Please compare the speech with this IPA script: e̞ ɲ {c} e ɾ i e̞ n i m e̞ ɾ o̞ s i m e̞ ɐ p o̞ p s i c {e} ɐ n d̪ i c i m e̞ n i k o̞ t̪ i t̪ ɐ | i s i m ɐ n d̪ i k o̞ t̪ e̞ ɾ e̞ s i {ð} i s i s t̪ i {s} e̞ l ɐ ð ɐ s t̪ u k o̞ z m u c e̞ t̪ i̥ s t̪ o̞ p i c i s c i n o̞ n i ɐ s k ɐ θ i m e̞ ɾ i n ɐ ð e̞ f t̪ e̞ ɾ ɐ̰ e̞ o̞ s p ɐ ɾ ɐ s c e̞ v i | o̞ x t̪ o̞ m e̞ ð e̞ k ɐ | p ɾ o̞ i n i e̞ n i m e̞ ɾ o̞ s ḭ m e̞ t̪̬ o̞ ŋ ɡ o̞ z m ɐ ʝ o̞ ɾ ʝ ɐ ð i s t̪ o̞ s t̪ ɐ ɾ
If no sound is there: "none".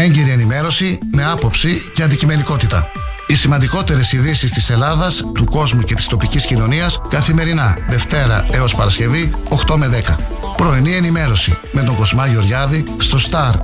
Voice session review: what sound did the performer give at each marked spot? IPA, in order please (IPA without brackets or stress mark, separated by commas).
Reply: ɟ, e, ð, s